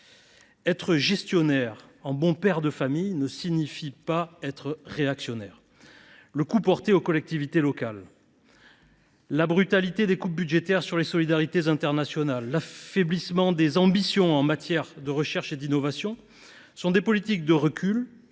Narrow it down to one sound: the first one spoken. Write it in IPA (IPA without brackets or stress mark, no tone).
ɛ